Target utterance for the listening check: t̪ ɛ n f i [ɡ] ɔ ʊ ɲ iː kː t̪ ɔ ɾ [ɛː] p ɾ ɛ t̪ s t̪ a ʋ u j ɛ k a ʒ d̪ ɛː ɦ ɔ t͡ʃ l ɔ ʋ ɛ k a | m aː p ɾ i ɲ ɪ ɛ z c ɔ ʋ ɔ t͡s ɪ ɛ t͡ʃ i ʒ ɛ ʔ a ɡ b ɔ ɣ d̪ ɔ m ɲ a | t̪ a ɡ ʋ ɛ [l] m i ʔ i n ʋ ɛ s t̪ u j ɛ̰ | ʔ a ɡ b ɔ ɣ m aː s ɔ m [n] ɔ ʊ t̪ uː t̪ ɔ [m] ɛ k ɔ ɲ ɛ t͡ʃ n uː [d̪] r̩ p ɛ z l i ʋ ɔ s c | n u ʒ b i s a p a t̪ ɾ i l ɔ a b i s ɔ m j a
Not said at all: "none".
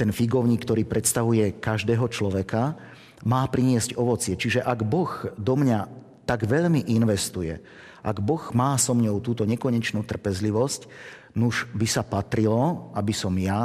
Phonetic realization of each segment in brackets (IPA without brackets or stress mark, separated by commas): ɡ, iː, ʎ, ɲ, ɲ, t̪